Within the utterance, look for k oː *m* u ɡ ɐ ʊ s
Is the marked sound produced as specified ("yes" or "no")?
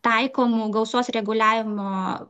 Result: yes